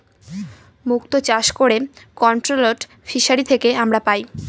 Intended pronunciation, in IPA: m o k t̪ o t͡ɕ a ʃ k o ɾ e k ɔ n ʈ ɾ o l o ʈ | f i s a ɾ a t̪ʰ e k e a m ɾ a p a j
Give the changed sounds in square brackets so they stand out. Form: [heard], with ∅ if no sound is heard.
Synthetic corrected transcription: m [u] k t̪ o t͡ɕ a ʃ k o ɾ e k ɔ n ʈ ɾ o l o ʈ | f i [ʃ] a ɾ [i] t̪ʰ e k e a m ɾ a p a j